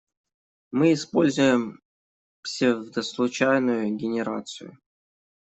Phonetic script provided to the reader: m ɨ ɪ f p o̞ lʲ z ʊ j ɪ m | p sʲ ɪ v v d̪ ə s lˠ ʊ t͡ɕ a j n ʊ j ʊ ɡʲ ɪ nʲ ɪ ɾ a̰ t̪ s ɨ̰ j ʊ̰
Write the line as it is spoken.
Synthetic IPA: m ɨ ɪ s p o̞ lʲ z ʊ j ɪ m | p sʲ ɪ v v d̪ ə s lˠ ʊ t͡ɕ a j n ʊ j ʊ ɡʲ ɪ nʲ ɪ ɾ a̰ t̪ s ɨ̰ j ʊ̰